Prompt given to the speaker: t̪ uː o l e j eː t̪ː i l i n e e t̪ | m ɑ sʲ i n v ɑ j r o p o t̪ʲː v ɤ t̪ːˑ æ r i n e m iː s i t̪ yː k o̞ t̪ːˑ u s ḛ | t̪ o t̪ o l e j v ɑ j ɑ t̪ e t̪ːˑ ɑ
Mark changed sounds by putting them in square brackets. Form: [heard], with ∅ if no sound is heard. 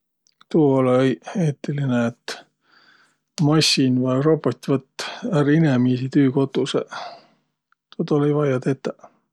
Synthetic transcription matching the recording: t̪ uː o l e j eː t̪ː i l i n e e t̪ | m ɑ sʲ i n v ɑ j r o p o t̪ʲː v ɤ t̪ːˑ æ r i n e m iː s i t̪ yː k o̞ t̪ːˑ u s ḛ | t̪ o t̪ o l e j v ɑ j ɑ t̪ e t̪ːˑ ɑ